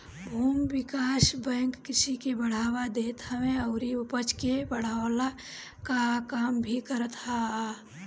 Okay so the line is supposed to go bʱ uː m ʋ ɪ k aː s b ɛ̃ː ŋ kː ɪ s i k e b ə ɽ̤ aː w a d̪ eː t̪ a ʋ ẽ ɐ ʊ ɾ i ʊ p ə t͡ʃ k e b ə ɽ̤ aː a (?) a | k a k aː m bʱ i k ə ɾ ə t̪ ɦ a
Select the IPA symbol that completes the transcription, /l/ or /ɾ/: l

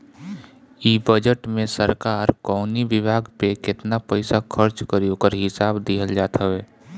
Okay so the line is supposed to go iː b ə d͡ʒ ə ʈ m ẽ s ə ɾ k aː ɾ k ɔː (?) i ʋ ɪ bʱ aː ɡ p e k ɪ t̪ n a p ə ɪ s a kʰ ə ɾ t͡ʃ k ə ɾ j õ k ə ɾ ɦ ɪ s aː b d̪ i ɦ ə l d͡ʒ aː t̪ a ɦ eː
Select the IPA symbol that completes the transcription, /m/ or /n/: n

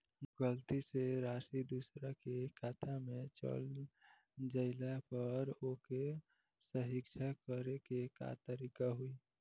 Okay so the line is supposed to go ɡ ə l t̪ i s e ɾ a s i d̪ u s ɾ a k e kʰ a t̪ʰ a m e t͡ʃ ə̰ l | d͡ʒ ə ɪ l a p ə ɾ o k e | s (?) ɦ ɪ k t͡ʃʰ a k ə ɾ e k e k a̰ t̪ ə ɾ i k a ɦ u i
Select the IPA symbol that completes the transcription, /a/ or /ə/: ə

